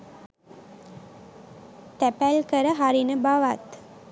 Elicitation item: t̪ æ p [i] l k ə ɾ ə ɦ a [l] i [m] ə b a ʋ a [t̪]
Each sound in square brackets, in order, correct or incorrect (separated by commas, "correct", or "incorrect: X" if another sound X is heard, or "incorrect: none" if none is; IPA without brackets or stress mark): incorrect: æ, incorrect: ɾ, incorrect: n, correct